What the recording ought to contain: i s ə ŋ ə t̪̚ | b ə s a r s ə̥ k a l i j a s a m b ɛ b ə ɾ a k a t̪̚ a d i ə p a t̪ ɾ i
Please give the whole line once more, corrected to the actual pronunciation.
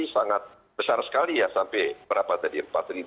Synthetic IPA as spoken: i s a ŋ a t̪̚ | b ə s a r s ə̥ k a l i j a s a m p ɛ b ə ɾ a p a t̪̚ a d i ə p a t̪ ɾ i